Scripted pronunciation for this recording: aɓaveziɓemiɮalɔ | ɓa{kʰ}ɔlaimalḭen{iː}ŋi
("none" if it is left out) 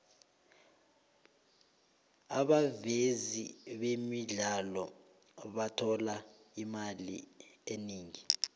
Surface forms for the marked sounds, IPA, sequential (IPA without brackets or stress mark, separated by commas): tʰ, iː